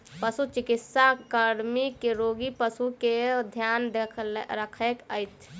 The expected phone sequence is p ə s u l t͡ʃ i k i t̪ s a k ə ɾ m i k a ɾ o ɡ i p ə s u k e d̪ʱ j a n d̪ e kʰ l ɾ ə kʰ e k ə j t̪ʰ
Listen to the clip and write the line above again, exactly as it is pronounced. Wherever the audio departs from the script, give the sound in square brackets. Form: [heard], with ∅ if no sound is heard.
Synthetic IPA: p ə s u [∅] t͡ʃ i k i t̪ s a k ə ɾ m i k [e] ɾ o ɡ i p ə s u k e d̪ʱ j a n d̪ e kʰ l ɾ ə kʰ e k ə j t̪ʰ

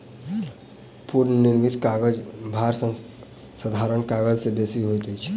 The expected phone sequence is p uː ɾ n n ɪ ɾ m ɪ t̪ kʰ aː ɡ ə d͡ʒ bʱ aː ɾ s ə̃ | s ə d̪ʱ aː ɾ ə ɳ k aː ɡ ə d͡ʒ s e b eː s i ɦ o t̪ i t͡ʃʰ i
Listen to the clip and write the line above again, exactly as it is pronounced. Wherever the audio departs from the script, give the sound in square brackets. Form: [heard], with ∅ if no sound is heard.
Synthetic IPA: p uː ɾ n n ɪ ɾ m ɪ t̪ [k] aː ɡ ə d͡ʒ bʱ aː ɾ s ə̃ | s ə d̪ʱ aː ɾ ə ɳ k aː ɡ ə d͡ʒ s e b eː s i ɦ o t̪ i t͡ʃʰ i

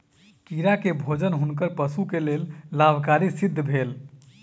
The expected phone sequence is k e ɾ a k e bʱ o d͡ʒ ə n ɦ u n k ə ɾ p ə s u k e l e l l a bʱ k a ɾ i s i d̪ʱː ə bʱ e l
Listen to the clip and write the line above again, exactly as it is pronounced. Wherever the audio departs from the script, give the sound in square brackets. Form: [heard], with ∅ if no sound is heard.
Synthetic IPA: k [i] ɾ a k e bʱ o d͡ʒ ə n ɦ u n k ə ɾ p ə s u k e l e l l a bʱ k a ɾ i s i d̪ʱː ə bʱ e l

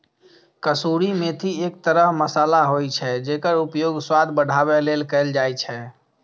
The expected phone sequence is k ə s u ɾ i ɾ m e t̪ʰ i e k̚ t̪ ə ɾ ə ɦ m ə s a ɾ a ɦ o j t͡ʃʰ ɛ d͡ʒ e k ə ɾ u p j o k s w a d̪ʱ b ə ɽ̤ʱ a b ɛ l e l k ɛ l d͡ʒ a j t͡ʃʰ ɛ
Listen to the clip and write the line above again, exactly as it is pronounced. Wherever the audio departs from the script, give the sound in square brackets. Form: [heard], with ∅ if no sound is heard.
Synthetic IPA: k ə s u ɾ i [∅] m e t̪ʰ i e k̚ t̪ ə ɾ ə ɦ m ə s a [l] a ɦ o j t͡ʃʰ ɛ d͡ʒ e k ə ɾ u p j o [ɡ] s w a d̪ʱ b ə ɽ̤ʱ a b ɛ l e l k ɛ l d͡ʒ a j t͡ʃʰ ɛ

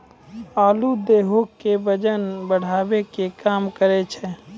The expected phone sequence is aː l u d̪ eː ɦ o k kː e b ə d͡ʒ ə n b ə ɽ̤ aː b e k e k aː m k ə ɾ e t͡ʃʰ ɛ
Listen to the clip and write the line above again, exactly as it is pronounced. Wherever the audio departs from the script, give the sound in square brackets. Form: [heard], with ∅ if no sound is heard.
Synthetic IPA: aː l u d̪ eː ɦ o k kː e b ə d͡ʒ ə n b ə ɽ̤ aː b e k e k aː m k ə ɾ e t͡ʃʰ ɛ

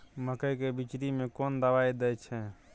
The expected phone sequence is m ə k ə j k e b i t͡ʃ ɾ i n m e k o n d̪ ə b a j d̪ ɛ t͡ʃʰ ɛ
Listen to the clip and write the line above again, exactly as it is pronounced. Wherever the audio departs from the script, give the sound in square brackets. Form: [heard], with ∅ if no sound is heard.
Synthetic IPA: m ə k ə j k e b i t͡ʃ ɾ i [∅] m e k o n d̪ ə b a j d̪ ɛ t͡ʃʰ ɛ

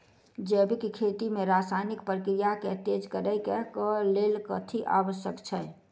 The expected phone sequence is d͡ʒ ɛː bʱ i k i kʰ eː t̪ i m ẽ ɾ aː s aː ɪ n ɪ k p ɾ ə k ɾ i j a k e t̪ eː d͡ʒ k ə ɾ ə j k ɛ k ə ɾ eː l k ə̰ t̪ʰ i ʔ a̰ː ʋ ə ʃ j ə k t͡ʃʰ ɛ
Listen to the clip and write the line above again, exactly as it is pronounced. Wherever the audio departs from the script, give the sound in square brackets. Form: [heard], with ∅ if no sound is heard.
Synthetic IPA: d͡ʒ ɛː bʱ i k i kʰ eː t̪ i m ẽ ɾ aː s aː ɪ n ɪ k p ɾ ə k ɾ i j a k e t̪ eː d͡ʒ k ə ɾ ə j k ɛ k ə [l] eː l k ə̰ t̪ʰ i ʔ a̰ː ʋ ə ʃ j ə k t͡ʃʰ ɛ

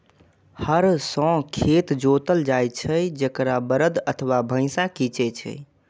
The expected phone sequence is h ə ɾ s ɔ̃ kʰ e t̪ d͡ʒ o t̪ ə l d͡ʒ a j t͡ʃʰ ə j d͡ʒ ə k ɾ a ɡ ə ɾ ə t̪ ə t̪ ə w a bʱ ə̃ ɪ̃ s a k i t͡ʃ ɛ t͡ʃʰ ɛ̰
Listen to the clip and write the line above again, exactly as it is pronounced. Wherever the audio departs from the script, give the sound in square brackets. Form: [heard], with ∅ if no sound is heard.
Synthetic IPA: h ə ɾ s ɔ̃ kʰ e t̪ d͡ʒ o t̪ ə l d͡ʒ a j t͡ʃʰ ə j d͡ʒ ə k ɾ a [b] ə ɾ ə [d̪] ə [t̪ʰ] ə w a bʱ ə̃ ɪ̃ s a k i t͡ʃ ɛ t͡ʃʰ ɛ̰

